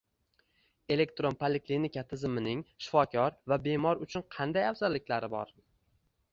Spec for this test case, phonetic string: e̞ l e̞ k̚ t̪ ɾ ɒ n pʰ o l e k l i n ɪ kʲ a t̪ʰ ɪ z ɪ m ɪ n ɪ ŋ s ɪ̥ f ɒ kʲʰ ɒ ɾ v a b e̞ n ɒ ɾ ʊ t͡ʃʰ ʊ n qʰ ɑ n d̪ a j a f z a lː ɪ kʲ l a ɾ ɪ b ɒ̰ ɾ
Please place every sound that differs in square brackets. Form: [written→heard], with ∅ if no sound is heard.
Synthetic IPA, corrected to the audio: e̞ l e̞ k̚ t̪ ɾ [ɒ→o] n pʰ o l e k l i n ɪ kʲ a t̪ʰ ɪ z ɪ m ɪ n ɪ ŋ [s→ʃ] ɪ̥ f ɒ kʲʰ ɒ ɾ v a b e̞ [n→m] ɒ ɾ ʊ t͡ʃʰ ʊ n qʰ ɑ n d̪ a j a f z a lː ɪ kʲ l a ɾ ɪ b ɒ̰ ɾ